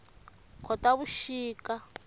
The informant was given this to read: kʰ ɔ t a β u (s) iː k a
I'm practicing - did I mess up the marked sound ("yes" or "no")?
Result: yes